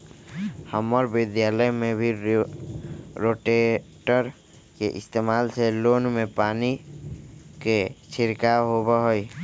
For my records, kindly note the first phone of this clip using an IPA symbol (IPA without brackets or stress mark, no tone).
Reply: h